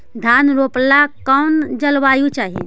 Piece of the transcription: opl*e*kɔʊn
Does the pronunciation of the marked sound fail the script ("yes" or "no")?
yes